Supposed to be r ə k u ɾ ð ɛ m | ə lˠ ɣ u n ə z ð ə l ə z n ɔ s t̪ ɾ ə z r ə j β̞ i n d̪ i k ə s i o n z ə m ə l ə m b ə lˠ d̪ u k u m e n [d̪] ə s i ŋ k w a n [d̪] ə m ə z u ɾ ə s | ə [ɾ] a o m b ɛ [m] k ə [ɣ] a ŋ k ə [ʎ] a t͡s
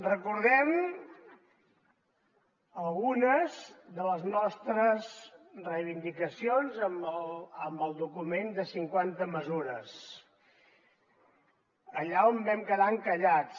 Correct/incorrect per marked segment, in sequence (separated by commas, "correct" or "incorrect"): correct, incorrect, incorrect, correct, incorrect, correct